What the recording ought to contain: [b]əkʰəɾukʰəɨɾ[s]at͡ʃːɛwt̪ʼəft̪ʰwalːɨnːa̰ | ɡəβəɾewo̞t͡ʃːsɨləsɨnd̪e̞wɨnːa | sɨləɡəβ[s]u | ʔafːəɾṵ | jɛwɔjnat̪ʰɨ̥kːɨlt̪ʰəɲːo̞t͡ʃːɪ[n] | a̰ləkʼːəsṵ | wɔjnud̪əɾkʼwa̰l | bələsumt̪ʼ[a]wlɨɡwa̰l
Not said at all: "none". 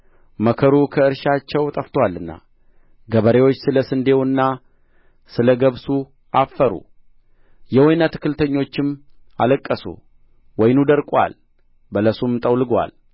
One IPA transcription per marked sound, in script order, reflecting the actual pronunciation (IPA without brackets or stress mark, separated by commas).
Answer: m, ʃ, s, m, ə